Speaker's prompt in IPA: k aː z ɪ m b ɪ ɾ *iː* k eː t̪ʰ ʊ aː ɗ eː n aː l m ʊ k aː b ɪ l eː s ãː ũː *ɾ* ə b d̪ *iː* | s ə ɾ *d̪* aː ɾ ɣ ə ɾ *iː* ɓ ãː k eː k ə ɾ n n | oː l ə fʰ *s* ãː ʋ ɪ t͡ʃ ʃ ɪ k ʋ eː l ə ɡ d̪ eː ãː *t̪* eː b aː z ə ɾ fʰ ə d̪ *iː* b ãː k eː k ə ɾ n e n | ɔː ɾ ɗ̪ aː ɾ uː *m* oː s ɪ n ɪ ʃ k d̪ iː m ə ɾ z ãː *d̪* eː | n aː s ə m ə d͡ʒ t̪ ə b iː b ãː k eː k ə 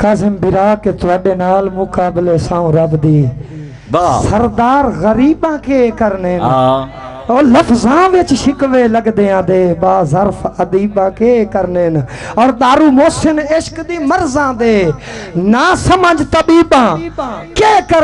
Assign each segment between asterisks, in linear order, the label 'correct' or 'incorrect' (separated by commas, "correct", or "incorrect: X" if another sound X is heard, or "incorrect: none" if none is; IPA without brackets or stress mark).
incorrect: aː, correct, correct, correct, correct, incorrect: z, incorrect: d̪, correct, correct, correct